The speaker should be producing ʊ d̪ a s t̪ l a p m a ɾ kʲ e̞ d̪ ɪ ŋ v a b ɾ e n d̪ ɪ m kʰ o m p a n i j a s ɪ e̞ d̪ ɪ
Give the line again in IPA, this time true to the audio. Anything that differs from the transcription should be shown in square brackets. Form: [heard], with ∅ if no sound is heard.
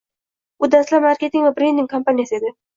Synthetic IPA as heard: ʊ d̪ a s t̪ l a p m a ɾ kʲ e̞ [t̪] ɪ ŋ v a b ɾ e n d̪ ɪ [ŋ] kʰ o m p a n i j a s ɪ e̞ d̪ ɪ

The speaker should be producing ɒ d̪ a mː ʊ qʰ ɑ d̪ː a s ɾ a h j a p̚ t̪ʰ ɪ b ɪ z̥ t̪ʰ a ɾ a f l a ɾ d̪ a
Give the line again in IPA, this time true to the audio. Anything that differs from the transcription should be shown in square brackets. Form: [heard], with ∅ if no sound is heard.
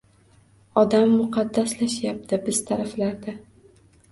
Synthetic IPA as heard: ɒ d̪ a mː ʊ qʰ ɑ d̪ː a s [l] a [ʃ] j a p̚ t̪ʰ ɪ b ɪ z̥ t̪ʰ a ɾ a f l a ɾ d̪ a

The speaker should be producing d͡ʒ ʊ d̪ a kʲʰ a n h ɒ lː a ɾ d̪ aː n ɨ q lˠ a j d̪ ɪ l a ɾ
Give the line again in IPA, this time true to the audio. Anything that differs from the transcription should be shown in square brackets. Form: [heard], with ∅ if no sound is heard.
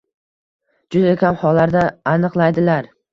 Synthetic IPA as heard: d͡ʒ ʊ d̪ a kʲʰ a [m] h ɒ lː a ɾ d̪ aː n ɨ q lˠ a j d̪ ɪ l a ɾ

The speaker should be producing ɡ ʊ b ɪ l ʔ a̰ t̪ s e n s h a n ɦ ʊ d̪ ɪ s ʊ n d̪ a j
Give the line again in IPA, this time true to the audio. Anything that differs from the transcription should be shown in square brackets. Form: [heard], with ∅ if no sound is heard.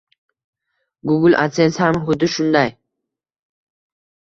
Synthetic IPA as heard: ɡ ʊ [ɡ] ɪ l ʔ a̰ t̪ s e n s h a [m] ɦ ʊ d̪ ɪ [ʃ] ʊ n d̪ a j

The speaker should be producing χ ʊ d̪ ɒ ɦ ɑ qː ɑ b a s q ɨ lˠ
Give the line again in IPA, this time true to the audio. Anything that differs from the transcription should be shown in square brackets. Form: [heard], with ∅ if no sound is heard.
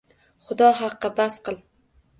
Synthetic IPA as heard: χ ʊ d̪ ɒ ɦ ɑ qː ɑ b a s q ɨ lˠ

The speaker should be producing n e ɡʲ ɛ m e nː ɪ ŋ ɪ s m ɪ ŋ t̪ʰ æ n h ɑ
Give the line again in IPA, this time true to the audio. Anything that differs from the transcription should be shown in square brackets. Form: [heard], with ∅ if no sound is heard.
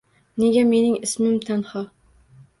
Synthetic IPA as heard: n e ɡʲ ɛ m e [n] ɪ ŋ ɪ s m ɪ [m] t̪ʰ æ n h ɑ

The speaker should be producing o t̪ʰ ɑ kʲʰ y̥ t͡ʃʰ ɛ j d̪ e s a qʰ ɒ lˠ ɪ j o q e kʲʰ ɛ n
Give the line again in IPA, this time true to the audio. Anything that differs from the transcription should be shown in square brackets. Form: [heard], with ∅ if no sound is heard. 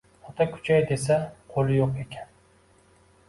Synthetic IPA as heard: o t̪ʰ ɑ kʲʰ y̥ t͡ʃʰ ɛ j d̪ e s [ɛ] qʰ [o] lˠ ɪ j o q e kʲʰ ɛ n

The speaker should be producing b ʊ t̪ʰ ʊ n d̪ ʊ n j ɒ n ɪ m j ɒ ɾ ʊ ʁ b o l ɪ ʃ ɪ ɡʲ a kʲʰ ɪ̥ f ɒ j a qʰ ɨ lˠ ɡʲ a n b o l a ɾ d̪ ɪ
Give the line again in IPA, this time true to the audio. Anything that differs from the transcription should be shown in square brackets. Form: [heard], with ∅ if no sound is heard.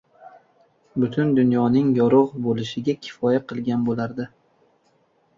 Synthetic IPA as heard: b ʊ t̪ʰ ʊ n d̪ ʊ n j ɒ n ɪ [ŋ] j ɒ ɾ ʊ ʁ b o l ɪ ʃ ɪ ɡʲ a kʲʰ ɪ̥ f ɒ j a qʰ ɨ lˠ ɡʲ a n b o l a ɾ d̪ ɪ

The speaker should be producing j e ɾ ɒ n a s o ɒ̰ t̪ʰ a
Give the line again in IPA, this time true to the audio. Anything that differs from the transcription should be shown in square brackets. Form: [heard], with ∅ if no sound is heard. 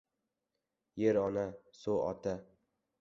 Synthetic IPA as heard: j e ɾ ɒ n a s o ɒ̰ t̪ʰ a

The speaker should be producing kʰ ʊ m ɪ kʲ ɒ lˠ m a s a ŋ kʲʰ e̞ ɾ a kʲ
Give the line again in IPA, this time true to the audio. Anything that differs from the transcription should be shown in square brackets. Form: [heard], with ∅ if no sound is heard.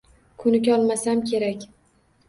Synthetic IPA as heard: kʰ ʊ [n] ɪ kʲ ɒ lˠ m a s a [m] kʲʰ e̞ ɾ a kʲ

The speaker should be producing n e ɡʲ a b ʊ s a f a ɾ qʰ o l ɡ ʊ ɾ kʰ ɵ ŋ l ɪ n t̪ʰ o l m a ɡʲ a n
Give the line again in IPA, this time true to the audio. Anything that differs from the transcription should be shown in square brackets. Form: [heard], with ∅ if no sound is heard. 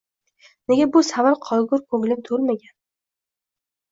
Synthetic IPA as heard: n e ɡʲ a b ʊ s a [v] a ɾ qʰ [ɒ] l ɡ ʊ ɾ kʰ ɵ ŋ l ɪ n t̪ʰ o l m a ɡʲ a n

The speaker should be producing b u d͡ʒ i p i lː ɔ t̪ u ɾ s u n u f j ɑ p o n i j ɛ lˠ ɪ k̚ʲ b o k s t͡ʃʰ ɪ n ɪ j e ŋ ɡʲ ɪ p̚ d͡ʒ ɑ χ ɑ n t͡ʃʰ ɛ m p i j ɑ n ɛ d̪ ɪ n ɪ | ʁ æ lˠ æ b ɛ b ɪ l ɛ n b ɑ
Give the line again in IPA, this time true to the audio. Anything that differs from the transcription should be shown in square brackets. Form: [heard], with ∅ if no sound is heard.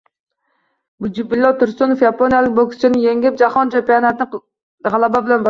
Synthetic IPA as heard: b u d͡ʒ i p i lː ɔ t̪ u ɾ s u n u f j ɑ p o n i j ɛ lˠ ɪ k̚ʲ b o k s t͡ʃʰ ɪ n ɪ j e ŋ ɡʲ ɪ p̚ d͡ʒ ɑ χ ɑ n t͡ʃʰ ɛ m p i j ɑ n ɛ [t̪] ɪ n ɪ | ʁ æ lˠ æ b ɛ b ɪ l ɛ n b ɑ

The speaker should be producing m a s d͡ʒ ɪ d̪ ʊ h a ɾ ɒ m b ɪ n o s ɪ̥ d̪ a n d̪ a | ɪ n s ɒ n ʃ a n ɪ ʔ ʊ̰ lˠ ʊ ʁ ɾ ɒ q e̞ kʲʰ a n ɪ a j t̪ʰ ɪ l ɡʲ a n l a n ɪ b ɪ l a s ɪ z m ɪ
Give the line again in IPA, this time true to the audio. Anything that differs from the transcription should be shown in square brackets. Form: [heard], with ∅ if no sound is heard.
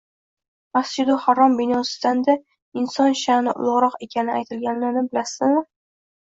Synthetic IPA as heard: m a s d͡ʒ ɪ d̪ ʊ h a ɾ ɒ m b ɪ n [ɒ] s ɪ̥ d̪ a n d̪ a | ɪ n s ɒ n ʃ a n ɪ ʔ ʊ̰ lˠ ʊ ʁ ɾ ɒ q e̞ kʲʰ a n ɪ a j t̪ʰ ɪ l ɡʲ a n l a n ɪ b ɪ l a s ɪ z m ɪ

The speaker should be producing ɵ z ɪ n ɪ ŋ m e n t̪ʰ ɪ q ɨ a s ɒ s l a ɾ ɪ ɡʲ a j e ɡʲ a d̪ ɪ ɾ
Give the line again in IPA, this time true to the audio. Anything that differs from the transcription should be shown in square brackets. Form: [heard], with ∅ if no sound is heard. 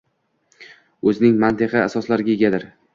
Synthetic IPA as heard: ɵ z ɪ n ɪ ŋ m [a] n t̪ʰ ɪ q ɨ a s ɒ s l a ɾ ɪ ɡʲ a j e ɡʲ a d̪ ɪ ɾ

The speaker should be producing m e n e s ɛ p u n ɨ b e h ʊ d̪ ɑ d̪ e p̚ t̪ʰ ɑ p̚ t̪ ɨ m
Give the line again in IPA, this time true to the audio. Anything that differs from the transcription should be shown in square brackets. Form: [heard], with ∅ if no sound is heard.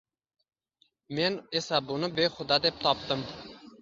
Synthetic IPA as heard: m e n e s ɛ [b] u n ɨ b e [χ] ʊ d̪ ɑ d̪ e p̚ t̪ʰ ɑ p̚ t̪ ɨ m

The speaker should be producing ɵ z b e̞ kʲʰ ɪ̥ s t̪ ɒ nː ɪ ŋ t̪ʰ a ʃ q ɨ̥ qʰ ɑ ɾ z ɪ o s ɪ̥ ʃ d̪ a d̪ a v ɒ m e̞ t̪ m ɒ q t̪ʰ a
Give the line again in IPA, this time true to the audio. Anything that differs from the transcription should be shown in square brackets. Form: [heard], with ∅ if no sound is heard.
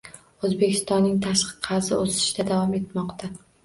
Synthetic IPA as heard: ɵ z b e̞ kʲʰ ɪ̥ s t̪ ɒ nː ɪ ŋ t̪ʰ a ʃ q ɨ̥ qʰ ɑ ɾ z ɪ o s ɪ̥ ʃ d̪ a d̪ a v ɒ m e̞ t̪ m ɒ q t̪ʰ a

